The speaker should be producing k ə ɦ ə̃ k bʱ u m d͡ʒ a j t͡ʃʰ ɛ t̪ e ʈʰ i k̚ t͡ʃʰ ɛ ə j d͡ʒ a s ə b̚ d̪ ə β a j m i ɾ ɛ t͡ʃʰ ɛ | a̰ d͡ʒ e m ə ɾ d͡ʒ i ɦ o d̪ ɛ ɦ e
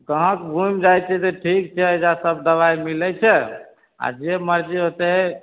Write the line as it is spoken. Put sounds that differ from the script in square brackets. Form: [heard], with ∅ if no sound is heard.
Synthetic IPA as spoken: k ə ɦ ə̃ k bʱ u m d͡ʒ a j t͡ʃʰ ɛ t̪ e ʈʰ i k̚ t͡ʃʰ ɛ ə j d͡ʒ a s ə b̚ d̪ ə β a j m i [l] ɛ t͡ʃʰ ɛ | a̰ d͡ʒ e m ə ɾ d͡ʒ i ɦ o [t̪] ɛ ɦ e